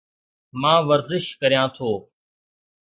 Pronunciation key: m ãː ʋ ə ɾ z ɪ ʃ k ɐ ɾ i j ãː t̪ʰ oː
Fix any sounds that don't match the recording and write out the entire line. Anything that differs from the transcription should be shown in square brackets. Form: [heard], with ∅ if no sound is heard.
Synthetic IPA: m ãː ʋ ə ɾ z ɪ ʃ k [ə] ɾ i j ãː t̪ʰ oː